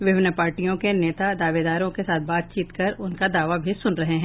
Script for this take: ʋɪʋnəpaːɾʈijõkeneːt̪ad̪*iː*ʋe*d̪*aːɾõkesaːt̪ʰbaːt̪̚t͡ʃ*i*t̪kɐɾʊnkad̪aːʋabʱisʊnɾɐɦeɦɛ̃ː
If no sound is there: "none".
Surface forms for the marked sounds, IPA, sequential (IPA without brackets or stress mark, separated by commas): aː, d̪, iː